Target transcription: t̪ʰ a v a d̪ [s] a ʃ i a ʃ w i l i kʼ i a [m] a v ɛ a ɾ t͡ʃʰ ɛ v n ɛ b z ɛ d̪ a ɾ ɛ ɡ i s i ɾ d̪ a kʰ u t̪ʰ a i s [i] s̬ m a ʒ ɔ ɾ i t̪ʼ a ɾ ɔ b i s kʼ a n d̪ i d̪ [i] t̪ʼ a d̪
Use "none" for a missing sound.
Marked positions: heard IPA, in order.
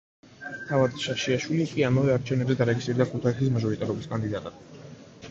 ʃ, m, i, a

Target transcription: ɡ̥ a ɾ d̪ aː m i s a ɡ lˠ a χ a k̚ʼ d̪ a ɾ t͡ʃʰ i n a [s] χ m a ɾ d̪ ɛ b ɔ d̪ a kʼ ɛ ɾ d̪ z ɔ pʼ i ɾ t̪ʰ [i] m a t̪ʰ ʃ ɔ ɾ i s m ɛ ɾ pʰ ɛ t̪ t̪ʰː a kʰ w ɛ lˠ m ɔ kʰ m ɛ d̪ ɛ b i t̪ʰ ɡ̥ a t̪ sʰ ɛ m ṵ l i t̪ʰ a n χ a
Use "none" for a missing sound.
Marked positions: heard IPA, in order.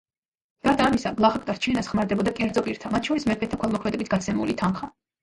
s, a

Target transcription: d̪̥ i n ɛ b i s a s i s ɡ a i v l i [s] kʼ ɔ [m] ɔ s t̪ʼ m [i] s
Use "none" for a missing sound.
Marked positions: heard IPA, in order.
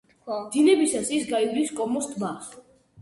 s, m, a

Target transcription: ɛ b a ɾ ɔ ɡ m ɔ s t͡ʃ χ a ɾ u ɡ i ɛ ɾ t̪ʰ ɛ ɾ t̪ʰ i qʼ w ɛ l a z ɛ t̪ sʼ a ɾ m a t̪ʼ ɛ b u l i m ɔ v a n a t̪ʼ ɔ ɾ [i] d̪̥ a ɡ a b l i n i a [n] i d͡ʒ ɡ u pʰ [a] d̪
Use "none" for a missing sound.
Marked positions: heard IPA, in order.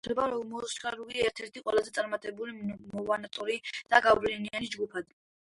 i, n, a

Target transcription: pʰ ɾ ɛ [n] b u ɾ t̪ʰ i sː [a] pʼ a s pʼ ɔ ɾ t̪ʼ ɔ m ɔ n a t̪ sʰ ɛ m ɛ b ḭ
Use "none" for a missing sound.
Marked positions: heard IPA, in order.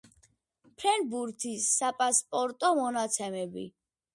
n, a

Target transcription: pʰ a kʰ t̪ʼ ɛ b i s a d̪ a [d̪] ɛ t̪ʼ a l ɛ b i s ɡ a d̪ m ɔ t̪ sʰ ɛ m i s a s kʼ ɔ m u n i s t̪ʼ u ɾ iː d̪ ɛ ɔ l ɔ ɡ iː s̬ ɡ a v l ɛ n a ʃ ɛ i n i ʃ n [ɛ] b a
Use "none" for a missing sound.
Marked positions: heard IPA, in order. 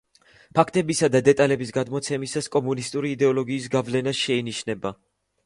d̪, ɛ

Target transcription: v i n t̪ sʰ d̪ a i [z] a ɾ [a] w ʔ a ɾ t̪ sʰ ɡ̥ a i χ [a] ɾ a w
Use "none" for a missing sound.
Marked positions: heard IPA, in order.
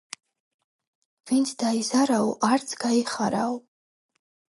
z, a, a

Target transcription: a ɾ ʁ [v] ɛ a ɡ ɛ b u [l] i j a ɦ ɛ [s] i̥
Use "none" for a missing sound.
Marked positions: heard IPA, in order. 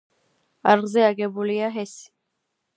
z, l, s

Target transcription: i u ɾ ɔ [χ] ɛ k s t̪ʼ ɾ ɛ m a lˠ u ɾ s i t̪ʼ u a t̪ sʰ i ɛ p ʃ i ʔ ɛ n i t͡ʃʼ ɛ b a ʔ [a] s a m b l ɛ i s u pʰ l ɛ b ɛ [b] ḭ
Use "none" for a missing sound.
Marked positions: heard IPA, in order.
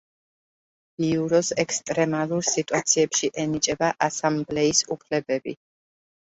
s, a, b

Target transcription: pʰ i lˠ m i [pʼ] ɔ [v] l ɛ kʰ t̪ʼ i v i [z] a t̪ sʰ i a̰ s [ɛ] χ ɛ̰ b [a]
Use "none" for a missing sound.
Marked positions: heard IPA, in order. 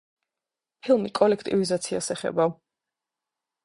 kʼ, none, z, ɛ, a

